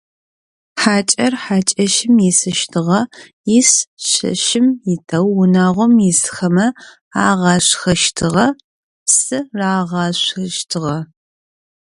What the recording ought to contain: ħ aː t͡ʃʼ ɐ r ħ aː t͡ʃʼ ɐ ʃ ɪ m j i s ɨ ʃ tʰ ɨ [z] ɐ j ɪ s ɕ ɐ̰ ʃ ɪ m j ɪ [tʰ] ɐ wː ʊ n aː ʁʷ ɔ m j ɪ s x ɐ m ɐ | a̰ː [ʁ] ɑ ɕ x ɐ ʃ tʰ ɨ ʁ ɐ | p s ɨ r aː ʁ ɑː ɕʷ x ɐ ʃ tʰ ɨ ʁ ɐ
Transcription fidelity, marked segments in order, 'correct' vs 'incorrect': incorrect, correct, correct

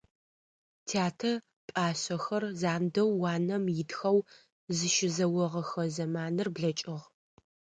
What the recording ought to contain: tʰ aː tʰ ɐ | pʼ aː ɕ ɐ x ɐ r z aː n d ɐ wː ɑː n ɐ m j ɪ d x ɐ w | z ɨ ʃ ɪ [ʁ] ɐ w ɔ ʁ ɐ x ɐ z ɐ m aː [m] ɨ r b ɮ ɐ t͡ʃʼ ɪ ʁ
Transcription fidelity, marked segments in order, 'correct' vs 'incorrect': incorrect, incorrect

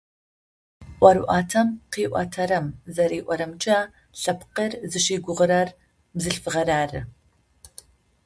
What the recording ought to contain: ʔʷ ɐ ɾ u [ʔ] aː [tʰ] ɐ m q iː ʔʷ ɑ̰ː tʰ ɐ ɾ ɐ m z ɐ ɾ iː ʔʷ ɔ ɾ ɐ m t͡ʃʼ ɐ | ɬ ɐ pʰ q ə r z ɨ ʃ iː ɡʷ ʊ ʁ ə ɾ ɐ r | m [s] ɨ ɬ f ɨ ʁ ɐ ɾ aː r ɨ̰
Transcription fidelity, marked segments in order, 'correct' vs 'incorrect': correct, correct, incorrect

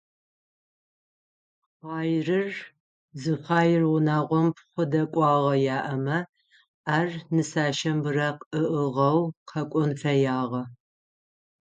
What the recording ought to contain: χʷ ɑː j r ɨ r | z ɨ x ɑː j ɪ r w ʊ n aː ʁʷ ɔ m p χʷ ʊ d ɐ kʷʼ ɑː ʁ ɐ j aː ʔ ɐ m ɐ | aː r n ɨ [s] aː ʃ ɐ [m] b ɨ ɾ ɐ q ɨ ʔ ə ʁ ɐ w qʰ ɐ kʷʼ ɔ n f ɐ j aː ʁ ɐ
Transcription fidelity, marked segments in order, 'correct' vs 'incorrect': correct, correct

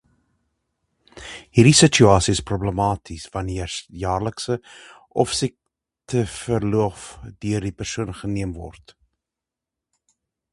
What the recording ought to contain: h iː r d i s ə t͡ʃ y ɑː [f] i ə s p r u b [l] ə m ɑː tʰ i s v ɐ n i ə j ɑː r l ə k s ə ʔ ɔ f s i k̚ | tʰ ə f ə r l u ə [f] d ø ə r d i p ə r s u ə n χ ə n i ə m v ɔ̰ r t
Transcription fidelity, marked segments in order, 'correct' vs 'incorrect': incorrect, correct, correct

